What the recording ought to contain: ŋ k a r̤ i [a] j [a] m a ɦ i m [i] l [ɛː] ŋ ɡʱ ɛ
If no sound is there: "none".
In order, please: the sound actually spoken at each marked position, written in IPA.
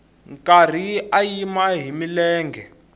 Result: a, i, i, ɛː

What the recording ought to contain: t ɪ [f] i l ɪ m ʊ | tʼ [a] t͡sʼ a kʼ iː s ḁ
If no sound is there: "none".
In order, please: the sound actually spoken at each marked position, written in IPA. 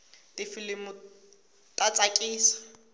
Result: f, a

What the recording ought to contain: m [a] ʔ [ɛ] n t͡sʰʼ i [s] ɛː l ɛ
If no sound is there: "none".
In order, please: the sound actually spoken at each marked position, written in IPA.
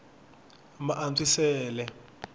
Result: a, a, s

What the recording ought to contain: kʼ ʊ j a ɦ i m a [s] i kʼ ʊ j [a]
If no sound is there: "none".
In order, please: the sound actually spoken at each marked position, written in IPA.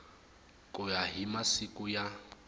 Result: s, a

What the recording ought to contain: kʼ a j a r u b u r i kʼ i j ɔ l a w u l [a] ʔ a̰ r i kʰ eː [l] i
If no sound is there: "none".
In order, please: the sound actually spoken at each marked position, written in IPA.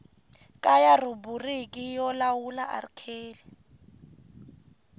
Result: a, l

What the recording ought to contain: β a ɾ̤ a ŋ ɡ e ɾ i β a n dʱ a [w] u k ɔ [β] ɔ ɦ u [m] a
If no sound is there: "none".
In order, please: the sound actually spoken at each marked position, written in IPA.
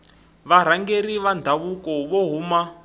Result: β, β, m

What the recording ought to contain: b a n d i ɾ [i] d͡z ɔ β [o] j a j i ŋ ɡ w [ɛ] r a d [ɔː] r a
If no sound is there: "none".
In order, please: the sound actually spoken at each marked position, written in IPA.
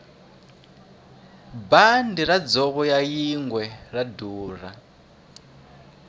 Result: a, ɔ, ɛ, uː

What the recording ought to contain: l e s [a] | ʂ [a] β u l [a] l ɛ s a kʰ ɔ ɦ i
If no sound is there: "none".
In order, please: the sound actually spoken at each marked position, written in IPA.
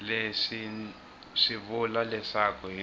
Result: i, i, a

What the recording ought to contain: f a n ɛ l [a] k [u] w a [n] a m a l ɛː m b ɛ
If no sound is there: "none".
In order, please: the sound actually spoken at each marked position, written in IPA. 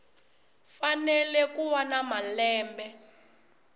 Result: ɛ, u, n

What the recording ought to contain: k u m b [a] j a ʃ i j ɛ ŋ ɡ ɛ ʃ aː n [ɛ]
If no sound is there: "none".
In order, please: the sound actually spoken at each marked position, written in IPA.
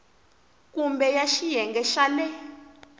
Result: ɛ, ɛ

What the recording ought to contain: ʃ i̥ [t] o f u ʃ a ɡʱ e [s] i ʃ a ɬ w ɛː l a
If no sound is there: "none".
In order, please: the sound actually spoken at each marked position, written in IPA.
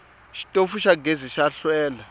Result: tʼ, z

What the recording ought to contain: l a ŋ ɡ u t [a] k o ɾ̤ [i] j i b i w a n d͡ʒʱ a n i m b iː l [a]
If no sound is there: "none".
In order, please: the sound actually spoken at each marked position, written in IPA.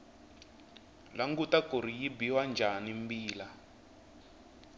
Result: a, i, a

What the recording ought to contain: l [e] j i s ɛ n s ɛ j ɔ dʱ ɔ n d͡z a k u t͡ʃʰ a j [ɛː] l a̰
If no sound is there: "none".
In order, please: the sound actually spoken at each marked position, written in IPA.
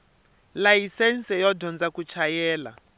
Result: a, ɛː

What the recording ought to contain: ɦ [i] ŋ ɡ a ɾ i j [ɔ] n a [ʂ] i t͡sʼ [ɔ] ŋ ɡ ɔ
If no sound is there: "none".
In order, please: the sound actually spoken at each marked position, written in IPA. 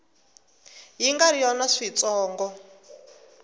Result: i, ɔ, ʂ, ɔː

